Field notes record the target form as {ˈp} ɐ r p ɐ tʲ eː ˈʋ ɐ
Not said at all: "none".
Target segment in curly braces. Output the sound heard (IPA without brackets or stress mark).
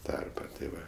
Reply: t